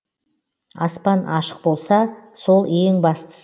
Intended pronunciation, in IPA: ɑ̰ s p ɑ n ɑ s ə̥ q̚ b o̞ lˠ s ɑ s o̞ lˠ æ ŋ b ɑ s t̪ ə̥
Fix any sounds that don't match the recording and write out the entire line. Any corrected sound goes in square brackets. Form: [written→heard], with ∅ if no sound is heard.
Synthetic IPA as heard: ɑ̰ s p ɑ n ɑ [s→ʃ] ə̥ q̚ b o̞ lˠ s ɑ s o̞ lˠ [æ→e] ŋ b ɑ s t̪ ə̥